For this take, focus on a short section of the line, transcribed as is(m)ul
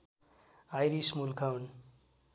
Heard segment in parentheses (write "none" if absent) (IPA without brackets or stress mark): m